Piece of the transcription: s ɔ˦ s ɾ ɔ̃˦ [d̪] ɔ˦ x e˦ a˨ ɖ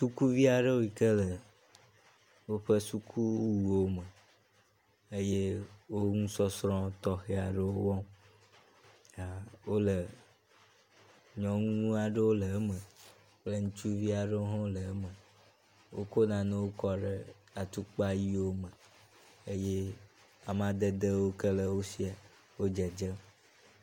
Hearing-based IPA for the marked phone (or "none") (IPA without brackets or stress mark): t̪